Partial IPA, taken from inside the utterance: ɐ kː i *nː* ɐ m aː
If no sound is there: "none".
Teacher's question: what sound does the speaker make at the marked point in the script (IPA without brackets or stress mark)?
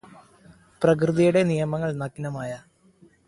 n